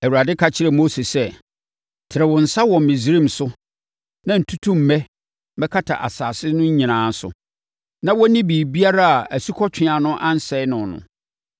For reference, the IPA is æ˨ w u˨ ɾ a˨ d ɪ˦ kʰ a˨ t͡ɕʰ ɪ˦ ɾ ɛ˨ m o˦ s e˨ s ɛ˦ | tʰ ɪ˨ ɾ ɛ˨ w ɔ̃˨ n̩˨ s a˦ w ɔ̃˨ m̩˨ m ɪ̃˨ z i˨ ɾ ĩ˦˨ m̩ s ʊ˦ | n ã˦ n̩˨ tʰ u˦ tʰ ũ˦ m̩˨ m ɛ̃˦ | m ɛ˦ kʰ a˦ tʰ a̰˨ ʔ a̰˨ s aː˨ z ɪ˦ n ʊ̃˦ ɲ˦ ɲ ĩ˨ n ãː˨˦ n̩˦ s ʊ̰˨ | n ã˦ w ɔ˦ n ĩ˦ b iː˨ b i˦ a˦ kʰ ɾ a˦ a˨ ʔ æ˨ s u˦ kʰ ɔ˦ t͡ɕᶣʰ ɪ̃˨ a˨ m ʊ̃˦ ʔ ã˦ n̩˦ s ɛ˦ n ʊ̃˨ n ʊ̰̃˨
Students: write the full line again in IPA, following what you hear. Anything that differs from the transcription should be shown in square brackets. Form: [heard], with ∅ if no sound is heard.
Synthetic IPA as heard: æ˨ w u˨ ɾ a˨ d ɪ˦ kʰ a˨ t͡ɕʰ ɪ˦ ɾ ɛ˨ m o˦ s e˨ s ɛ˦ | tʰ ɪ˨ ɾ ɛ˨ w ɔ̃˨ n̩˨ s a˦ w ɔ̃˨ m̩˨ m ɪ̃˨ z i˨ ɾ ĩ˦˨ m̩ s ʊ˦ | n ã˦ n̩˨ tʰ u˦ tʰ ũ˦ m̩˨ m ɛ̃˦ | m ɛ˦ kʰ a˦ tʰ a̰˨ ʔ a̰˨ s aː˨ [s] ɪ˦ n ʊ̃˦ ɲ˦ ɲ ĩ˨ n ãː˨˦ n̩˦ s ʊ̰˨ | n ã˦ w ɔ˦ n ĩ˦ b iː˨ b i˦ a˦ [∅] ɾ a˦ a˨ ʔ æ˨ s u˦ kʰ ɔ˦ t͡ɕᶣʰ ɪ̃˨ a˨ [n] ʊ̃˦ ʔ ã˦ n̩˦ s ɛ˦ n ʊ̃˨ n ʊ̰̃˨